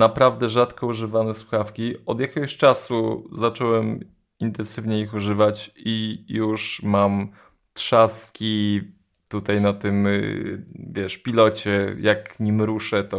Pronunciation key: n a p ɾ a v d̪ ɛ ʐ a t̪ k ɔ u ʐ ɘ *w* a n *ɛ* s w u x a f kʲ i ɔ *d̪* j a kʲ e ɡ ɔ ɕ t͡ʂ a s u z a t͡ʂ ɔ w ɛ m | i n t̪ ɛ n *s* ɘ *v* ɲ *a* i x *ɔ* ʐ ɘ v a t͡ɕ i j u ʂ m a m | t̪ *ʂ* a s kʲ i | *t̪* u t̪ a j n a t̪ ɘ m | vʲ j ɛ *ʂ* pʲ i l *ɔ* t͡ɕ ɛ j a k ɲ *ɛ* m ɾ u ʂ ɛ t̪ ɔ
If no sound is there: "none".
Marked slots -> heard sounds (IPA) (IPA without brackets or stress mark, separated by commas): v, ɛ, d̪, s, v, ɛ, u, ʂ, t̪, ʂ, ɔ, i